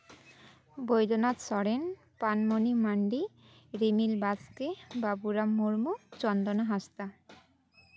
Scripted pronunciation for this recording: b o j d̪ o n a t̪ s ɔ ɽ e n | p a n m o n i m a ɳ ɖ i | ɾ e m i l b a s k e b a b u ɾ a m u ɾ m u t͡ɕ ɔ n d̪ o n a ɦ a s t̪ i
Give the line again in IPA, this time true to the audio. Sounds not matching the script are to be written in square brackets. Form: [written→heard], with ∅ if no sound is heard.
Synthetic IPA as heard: b o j d̪ o n a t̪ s ɔ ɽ e n | p a n m o n i m a ɳ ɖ i | ɾ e m i l b a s k e b a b u ɾ a m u ɾ m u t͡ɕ ɔ n d̪ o n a ɦ a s t̪ [i→a]

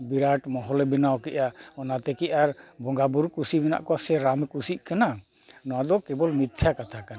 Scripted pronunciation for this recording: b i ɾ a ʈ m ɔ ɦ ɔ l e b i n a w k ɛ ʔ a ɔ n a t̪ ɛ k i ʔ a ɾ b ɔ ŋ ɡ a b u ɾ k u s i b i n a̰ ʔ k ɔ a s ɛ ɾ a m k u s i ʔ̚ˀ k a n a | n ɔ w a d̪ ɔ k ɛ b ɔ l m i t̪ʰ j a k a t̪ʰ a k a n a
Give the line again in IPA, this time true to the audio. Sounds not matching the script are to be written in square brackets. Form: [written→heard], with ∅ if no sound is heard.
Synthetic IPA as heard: b i ɾ a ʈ m ɔ ɦ ɔ l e b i n a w k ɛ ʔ a ɔ n a t̪ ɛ k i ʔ a ɾ b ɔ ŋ ɡ a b u ɾ k u s i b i n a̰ ʔ k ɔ a s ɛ ɾ a m k u s i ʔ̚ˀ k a n a | n ɔ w a d̪ ɔ k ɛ b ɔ l m i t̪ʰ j a k a t̪ʰ a k a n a

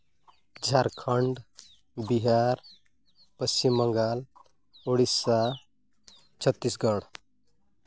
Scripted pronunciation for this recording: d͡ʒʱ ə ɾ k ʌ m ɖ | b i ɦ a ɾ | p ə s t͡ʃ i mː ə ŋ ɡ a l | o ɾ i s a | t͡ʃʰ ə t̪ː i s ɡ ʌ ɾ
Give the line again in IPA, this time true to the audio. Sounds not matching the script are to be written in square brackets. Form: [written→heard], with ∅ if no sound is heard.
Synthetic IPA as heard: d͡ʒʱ [ə→a] ɾ [k→kʰ] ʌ [m→ɳ] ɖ | b i ɦ a ɾ | p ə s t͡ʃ i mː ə ŋ ɡ a l | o [ɾ→ɽ] i s a | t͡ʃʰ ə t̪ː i s ɡ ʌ [ɾ→ɽ]

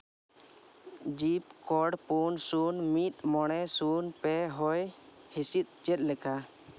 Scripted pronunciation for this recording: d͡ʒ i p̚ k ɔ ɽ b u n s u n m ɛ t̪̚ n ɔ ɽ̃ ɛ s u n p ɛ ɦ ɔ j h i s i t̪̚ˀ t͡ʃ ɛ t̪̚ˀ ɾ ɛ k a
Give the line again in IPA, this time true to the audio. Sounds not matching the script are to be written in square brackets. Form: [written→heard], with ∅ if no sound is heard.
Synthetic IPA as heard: d͡ʒ i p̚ k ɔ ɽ [b→p] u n s u n m [ɛ→i] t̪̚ [n→m] ɔ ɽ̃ ɛ s u n p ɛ ɦ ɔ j h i s i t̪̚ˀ t͡ʃ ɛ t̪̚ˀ [ɾ→l] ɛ k a

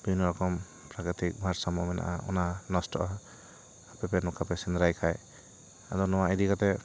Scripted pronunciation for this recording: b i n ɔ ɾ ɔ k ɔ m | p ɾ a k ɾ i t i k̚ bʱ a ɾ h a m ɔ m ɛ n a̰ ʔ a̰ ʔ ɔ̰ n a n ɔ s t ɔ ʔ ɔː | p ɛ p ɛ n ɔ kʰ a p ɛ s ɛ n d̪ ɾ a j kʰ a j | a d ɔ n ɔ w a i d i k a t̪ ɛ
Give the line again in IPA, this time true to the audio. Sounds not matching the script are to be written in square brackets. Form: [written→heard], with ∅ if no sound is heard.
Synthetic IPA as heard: b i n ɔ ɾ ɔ k ɔ m | p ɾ a k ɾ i t i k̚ bʱ a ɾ [h→s] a m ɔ m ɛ n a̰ ʔ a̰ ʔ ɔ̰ n a n ɔ s t ɔ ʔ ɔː | p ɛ p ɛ n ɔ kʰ a p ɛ s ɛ n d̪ ɾ a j kʰ a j | a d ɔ n ɔ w a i d i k a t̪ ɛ

